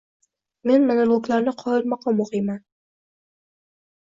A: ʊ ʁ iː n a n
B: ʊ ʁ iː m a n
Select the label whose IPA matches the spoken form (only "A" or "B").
B